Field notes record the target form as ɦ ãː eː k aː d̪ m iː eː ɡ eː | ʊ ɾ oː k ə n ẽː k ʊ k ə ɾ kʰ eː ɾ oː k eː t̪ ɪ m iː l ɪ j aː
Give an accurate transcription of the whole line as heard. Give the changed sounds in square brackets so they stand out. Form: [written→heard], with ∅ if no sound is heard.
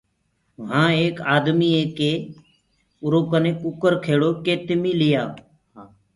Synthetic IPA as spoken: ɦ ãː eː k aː d̪ m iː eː [ɡ→k] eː | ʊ ɾ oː k ə n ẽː k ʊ k ə ɾ kʰ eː [ɾ→ɽ] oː k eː t̪ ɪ m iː l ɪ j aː